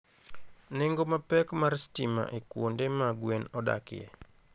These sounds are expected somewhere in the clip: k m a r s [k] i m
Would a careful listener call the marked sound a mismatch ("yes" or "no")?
yes